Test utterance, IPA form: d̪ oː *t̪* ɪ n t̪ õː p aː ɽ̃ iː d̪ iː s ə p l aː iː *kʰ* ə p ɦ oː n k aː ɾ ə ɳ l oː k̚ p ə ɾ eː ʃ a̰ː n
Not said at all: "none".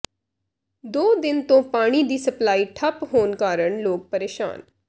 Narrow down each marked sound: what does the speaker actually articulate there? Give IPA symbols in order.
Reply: d̪, ʈʰ

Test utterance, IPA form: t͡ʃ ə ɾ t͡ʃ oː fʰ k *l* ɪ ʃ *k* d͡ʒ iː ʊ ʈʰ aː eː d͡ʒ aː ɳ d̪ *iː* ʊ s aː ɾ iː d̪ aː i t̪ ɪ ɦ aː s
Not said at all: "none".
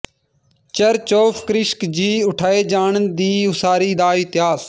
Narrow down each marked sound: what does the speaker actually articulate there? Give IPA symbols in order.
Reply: ɾ, k, iː

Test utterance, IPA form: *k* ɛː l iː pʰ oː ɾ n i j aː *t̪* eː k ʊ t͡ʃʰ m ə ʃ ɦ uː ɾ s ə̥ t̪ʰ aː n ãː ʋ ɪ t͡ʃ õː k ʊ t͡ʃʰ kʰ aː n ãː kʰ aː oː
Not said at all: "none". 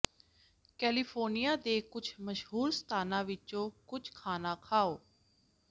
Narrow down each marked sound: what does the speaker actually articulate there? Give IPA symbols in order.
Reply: k, d̪

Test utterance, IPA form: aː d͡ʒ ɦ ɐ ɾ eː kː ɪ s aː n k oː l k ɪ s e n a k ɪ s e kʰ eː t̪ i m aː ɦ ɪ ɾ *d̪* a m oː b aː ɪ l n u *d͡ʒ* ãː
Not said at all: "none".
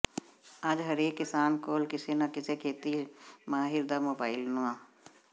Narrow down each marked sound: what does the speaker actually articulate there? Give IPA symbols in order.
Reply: d̪, none

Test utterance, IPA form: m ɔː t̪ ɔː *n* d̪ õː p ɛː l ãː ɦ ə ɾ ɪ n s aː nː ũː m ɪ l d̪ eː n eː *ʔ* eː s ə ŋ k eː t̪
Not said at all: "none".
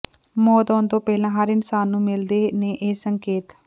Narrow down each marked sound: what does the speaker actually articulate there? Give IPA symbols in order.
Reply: n, ʔ

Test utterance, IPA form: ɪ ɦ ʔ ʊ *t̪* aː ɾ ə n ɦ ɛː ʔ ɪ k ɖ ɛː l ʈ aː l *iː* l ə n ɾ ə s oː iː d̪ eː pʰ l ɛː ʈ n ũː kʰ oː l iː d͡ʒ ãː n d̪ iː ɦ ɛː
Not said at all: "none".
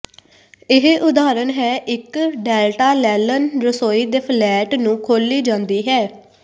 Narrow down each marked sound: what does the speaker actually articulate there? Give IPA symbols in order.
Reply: d̪, ɛː

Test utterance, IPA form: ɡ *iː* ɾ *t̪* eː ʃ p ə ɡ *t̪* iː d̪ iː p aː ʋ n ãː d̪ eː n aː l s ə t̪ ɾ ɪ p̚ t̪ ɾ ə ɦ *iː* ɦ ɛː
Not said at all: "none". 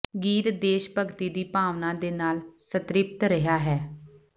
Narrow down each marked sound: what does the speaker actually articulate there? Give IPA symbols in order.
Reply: iː, d̪, t̪, aː

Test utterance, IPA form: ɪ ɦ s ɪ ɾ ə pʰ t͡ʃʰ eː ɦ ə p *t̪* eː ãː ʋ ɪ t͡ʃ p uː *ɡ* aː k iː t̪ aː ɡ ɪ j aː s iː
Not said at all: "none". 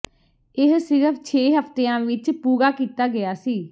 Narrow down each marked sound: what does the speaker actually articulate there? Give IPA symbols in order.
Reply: t̪, ɡ

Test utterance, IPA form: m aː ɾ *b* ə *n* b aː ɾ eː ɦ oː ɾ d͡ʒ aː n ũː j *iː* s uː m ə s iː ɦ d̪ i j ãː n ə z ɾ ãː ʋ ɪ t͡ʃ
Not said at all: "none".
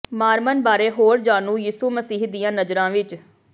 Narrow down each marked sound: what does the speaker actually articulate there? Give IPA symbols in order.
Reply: m, n, iː

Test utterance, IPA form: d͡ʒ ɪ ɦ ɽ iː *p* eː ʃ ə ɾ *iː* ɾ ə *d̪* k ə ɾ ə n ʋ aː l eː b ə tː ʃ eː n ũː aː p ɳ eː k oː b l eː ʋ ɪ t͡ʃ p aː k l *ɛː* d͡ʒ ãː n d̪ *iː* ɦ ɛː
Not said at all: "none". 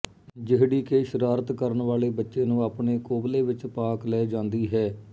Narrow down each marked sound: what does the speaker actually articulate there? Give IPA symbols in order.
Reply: k, aː, t̪, ɛː, iː

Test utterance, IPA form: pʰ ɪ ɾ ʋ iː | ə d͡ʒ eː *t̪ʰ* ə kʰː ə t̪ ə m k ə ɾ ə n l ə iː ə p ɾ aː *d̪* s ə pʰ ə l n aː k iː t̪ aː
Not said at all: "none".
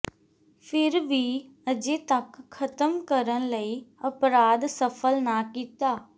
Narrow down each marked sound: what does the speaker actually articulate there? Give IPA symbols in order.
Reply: t̪, d̪

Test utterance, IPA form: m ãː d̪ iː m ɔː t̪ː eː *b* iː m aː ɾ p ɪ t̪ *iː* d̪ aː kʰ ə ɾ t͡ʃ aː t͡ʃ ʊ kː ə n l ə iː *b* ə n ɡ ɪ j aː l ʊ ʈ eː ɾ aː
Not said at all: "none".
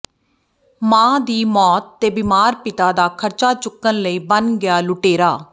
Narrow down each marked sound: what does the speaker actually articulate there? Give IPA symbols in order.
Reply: b, aː, b

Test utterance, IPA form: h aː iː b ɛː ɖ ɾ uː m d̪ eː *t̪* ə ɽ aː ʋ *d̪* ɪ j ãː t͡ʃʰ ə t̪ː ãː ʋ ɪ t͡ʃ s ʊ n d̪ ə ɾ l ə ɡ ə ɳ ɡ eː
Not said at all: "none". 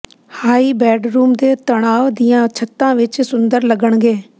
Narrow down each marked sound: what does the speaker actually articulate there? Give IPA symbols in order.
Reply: t̪, d̪

